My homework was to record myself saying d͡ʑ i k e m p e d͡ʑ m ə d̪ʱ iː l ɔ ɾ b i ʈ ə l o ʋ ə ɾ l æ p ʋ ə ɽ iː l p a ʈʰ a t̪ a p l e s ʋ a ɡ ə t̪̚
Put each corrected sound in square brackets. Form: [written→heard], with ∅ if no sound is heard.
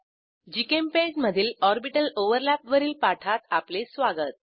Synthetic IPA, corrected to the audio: d͡ʑ i k e m p e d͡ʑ m ə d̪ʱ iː l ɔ ɾ b i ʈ ə l o ʋ ə ɾ l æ p ʋ ə [ɽ→ɾ] iː l p a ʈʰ a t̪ a p l e s ʋ a ɡ ə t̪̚